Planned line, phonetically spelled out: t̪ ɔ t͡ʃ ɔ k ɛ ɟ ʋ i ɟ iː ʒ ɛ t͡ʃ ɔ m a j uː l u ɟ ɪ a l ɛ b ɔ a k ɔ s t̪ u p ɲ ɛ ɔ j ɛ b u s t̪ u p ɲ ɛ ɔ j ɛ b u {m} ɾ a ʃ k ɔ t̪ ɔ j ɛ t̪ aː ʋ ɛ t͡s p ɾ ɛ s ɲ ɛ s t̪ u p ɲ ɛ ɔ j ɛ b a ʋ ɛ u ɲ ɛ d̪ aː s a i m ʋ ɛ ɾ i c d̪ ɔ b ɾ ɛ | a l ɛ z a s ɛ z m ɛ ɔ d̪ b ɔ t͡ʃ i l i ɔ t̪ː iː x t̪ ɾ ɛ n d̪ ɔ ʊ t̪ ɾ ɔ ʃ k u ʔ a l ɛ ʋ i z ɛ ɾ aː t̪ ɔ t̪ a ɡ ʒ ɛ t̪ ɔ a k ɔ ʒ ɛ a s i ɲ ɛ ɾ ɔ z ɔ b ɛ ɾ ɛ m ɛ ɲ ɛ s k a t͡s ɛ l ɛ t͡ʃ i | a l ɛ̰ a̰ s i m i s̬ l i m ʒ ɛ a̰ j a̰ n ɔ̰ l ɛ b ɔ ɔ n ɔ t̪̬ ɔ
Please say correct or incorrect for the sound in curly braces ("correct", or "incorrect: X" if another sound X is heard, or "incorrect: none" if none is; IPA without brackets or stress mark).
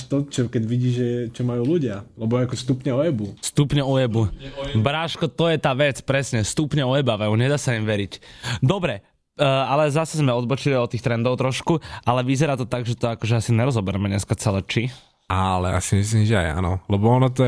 incorrect: b